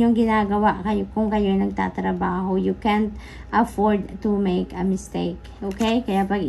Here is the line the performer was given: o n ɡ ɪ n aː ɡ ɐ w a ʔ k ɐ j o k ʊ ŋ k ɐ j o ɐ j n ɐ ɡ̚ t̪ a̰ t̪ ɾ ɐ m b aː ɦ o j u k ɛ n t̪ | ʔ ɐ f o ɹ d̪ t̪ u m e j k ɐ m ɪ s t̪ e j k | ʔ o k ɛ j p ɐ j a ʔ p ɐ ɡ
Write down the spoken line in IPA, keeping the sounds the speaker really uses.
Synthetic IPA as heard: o ŋ ɡ ɪ n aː ɡ ɐ w a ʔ k ɐ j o k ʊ ŋ k ɐ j o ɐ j n ɐ ɡ̚ t̪ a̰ t̪ ɾ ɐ b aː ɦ o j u k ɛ n t̪ | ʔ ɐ f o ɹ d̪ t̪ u m e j k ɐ m ɪ s t̪ e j k | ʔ o k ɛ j k ɐ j a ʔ p ɐ ɡ